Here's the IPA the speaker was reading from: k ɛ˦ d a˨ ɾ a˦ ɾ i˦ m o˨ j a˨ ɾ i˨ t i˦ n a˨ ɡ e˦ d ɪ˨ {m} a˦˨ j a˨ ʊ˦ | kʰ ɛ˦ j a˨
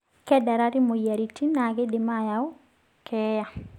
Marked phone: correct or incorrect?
correct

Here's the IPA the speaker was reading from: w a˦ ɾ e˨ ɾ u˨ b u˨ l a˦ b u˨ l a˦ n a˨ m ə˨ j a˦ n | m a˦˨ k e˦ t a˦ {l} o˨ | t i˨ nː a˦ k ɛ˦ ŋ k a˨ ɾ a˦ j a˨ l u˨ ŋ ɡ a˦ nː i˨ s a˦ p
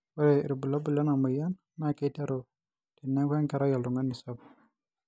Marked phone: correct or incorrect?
incorrect: ɾ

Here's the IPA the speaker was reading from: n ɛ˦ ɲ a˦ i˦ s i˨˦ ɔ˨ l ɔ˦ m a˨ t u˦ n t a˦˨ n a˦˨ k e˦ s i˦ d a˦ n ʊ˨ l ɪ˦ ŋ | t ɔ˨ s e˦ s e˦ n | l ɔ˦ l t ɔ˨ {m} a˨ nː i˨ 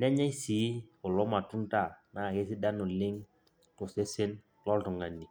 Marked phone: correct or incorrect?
incorrect: ŋ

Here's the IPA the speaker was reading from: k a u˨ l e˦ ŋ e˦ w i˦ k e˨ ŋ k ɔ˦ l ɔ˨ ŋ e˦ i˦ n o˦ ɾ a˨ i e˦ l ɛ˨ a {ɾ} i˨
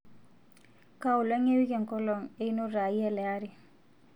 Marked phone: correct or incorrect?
correct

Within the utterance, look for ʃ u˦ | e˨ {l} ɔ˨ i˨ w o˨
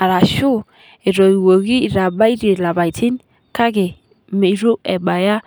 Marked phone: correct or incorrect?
incorrect: ɾ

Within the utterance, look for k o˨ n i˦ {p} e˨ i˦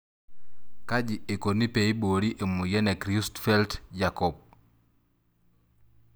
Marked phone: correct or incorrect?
correct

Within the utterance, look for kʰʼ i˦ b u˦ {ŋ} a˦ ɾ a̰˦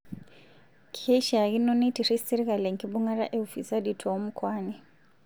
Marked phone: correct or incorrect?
correct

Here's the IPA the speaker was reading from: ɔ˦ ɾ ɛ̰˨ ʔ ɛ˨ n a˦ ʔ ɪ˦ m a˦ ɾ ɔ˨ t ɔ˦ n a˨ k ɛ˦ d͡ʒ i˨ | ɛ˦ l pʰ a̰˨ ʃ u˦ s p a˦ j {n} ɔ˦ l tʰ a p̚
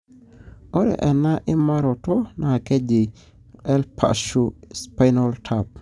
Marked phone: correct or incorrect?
correct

